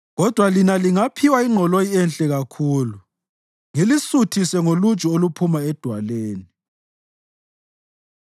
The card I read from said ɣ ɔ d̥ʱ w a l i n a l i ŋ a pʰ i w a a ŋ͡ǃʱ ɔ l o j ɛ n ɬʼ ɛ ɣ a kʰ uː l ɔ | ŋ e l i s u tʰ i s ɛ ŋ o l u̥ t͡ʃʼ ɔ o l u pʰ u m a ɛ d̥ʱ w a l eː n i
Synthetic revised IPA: ɣ ɔ d̥ʱ w a l i n a l i ŋ a pʰ i w a i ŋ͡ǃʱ ɔ l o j ɛ n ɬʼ ɛ ɣ a kʰ uː l u | ŋ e l i s u tʰ i s ɛ ŋ o l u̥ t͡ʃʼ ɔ o l u pʰ u m a ɛ d̥ʱ w a l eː n i